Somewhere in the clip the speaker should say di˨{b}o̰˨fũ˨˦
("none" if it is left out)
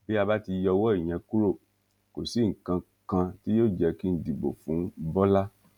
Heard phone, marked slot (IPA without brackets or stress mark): b